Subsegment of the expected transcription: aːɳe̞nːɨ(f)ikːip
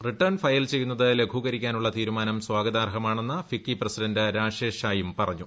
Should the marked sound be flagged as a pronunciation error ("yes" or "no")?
no